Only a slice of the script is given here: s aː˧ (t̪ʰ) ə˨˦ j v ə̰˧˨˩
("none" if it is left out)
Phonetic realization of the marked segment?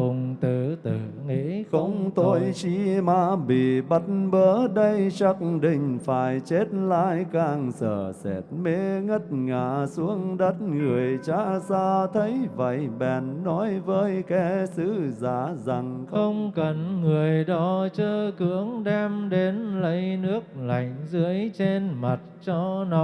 t̪ʰ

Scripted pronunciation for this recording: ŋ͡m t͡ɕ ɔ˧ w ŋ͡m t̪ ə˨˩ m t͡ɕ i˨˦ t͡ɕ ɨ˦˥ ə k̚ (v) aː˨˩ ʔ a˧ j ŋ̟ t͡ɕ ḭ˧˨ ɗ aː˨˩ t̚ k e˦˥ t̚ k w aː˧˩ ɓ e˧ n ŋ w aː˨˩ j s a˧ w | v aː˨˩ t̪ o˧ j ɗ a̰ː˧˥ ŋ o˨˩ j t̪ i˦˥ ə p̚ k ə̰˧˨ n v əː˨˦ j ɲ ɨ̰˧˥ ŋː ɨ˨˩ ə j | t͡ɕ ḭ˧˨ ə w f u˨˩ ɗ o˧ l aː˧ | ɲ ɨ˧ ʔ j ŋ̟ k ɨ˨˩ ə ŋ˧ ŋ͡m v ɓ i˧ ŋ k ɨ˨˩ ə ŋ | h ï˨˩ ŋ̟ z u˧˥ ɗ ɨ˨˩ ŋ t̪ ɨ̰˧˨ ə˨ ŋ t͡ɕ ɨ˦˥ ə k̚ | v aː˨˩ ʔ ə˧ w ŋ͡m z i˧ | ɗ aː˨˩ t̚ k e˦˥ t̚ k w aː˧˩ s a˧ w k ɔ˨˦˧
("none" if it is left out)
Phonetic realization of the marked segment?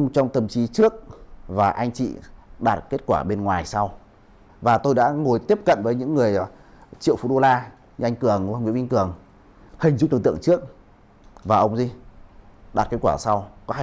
v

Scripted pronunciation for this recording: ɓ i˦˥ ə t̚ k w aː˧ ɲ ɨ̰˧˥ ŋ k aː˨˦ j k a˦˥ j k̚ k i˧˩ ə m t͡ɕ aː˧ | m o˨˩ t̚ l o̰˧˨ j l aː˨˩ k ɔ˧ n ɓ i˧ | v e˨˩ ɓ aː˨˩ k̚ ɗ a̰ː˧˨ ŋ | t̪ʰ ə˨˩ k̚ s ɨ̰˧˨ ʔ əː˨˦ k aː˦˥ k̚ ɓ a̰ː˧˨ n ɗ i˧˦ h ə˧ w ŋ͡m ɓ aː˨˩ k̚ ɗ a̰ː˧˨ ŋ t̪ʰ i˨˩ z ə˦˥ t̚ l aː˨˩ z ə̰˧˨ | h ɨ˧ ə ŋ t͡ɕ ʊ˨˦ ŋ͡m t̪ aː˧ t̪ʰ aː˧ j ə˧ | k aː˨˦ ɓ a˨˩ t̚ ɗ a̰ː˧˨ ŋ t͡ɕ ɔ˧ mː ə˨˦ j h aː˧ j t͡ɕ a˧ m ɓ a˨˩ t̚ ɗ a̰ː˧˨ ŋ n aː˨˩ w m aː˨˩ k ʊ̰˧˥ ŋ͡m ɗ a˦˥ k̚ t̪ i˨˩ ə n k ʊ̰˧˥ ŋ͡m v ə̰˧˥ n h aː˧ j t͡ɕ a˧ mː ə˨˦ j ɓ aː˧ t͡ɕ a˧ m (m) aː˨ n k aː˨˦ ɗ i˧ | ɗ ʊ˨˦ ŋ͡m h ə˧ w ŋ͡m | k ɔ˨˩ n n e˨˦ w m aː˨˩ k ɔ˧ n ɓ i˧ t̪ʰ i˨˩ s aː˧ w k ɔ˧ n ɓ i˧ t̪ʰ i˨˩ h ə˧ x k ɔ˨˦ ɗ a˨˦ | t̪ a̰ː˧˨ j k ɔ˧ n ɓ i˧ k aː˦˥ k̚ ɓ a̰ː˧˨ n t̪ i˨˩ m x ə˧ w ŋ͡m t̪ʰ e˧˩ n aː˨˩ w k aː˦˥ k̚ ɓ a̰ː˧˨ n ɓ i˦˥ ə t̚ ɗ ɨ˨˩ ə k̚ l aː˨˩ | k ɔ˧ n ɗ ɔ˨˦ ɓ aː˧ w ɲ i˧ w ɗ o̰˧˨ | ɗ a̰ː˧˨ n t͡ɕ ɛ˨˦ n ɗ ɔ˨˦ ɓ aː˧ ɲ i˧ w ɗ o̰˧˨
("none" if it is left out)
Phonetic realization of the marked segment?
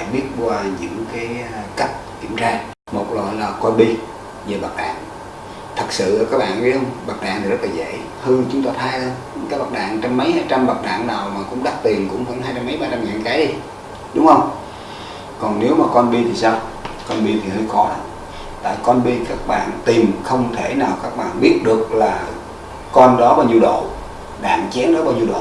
ŋ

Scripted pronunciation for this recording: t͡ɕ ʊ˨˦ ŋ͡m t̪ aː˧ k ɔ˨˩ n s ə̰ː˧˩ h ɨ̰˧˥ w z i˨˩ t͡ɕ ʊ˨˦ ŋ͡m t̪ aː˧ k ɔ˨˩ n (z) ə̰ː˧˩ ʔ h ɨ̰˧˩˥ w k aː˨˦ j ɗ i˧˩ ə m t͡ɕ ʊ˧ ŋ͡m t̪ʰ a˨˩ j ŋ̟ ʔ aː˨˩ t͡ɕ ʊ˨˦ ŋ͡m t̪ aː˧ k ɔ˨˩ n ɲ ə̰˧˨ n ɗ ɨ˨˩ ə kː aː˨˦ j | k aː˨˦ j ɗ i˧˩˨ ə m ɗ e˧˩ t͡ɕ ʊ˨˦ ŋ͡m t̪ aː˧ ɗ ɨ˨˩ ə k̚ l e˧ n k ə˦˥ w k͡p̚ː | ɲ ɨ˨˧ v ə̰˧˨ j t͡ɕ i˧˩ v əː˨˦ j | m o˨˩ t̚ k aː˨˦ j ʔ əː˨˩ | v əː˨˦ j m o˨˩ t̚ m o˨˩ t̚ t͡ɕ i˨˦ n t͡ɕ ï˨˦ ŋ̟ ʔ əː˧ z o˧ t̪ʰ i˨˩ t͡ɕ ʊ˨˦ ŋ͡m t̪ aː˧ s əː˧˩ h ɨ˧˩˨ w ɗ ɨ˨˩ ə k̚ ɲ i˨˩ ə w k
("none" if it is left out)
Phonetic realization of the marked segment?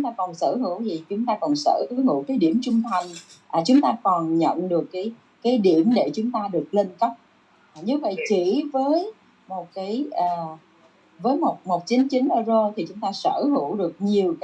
s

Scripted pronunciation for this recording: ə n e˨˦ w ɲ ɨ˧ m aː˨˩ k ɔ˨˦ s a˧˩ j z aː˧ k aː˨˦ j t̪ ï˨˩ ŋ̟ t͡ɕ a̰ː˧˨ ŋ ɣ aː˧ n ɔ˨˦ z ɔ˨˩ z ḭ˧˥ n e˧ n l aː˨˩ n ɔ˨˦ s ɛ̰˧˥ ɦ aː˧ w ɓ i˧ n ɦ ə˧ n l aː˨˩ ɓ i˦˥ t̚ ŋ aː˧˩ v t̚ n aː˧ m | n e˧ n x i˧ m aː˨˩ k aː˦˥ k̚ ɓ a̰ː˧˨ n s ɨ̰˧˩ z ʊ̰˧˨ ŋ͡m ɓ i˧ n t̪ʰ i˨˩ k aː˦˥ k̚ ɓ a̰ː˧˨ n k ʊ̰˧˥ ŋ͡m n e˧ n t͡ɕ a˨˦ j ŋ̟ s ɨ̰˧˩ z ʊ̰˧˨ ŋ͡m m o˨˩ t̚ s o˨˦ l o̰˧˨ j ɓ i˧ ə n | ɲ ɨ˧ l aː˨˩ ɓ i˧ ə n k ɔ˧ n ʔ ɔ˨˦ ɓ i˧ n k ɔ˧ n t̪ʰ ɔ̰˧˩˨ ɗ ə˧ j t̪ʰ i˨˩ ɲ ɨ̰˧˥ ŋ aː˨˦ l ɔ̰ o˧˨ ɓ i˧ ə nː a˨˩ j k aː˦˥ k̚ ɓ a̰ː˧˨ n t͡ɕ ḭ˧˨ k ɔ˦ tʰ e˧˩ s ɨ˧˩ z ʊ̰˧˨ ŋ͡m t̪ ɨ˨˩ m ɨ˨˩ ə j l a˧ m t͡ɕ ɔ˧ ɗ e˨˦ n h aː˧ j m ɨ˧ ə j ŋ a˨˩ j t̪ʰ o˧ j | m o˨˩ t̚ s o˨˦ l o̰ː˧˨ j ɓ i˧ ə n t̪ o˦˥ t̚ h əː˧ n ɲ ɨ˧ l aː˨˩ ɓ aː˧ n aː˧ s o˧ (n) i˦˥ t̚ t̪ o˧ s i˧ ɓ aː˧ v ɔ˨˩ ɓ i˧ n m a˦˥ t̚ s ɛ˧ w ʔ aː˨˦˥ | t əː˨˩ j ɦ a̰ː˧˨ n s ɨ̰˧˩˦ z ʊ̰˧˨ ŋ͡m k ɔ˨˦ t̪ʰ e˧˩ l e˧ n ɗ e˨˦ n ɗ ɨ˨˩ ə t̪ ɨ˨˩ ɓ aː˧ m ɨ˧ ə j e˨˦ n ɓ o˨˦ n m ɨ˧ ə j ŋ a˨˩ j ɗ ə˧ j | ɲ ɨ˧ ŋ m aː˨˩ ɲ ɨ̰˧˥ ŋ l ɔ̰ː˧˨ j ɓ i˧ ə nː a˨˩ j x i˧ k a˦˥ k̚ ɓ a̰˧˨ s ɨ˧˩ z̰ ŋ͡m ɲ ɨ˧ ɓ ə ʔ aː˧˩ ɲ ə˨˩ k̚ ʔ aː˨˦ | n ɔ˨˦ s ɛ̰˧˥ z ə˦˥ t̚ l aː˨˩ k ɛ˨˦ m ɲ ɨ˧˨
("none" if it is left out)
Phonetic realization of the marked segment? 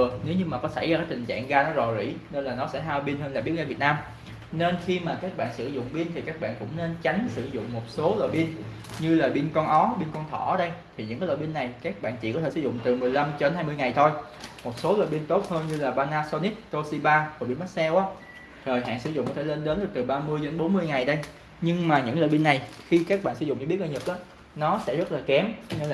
n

